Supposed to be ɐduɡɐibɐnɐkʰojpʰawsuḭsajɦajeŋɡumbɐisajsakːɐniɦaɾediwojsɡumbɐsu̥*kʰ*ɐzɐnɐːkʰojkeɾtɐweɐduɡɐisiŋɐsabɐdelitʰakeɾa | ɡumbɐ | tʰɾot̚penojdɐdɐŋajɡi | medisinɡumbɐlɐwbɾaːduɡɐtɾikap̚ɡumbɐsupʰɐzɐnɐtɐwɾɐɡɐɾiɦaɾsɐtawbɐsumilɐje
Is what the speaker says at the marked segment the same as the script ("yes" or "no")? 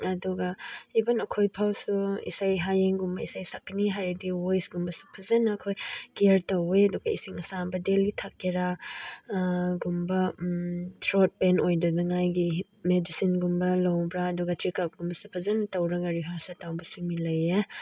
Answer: no